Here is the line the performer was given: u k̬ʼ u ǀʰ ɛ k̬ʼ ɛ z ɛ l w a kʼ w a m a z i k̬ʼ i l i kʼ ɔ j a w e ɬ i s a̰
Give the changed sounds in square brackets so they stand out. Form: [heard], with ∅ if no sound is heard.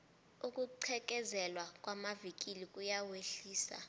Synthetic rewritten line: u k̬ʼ u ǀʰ ɛ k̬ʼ ɛ z ɛ l w a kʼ w a m a [v] i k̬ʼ i l i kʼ [u] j a w e ɬ [iː] s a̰